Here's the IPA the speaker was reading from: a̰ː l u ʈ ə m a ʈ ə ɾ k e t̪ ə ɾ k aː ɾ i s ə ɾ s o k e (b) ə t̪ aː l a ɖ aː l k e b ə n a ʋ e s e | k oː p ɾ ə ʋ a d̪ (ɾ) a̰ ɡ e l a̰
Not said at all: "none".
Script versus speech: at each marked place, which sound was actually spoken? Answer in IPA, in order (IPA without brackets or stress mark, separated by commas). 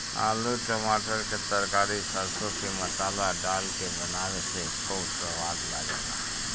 m, l